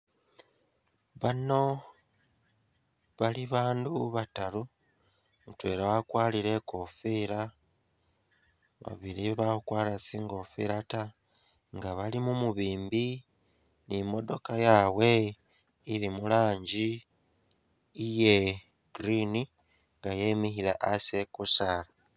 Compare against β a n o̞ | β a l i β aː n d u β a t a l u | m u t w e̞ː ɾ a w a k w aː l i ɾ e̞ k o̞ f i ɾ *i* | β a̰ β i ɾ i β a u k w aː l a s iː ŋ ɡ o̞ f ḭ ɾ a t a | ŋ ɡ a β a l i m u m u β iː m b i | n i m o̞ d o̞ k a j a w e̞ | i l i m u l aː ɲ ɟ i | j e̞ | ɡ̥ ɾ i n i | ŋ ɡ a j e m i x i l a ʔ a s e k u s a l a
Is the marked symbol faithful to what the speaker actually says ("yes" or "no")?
no